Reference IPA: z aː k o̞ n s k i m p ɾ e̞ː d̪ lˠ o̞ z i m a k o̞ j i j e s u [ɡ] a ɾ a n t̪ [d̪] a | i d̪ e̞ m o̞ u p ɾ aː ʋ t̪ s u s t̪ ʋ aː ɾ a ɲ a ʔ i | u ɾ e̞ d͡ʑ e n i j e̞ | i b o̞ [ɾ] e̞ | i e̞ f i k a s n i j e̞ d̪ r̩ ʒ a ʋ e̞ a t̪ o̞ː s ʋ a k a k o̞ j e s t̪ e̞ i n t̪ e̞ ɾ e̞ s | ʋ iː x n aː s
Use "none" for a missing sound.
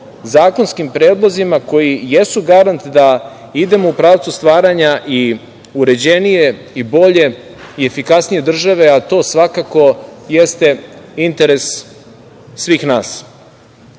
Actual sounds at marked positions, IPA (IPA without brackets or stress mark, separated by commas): ɡ, d̪, ʎ